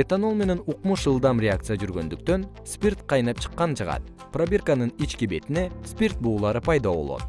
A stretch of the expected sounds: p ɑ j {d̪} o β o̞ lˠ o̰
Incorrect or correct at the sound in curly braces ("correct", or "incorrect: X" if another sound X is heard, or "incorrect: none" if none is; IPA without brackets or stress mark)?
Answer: correct